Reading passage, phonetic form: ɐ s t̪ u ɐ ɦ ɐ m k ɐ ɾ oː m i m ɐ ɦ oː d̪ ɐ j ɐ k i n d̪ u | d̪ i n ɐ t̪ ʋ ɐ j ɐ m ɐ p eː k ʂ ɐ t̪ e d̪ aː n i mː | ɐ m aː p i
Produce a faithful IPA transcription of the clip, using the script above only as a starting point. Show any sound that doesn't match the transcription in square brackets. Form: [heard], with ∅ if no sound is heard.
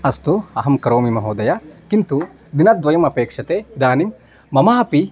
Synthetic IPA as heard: ɐ s t̪ u ɐ ɦ ɐ m k ɐ ɾ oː m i m ɐ ɦ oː d̪ ɐ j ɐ k i n [t̪] u | d̪ i n ɐ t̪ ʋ ɐ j ɐ m ɐ p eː k ʂ ɐ t̪ e d̪ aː n i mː | ɐ m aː p i